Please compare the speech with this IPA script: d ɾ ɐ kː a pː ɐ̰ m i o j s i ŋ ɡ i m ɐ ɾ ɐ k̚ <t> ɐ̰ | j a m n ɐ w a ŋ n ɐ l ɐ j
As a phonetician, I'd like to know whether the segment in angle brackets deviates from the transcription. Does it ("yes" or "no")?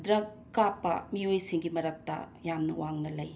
no